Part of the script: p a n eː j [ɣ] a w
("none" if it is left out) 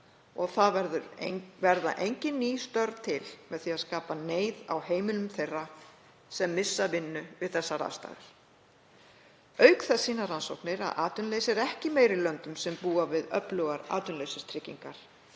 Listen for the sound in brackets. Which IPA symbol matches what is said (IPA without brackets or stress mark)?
ð